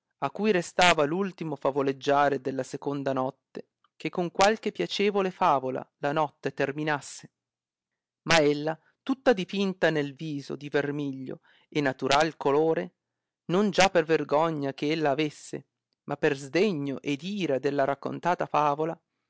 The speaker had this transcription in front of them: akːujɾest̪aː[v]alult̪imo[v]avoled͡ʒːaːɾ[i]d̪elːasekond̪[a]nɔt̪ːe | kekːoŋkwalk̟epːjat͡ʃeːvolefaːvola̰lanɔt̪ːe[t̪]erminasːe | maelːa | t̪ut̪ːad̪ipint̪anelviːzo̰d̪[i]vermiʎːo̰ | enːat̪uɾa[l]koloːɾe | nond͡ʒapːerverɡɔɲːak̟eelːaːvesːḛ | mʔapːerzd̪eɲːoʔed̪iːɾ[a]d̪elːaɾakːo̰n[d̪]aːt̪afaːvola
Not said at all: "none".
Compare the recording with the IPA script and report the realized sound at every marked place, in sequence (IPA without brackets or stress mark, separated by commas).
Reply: v, f, e, a, t̪, i, l, a, t̪